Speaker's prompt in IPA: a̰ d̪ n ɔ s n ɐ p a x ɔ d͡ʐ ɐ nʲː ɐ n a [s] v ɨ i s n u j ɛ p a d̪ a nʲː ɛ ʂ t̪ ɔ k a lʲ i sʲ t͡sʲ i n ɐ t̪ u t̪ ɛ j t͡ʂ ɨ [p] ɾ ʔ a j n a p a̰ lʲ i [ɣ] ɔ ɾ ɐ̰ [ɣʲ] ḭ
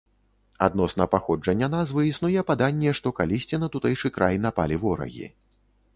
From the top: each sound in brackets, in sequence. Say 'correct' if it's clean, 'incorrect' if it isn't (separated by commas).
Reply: incorrect, incorrect, incorrect, correct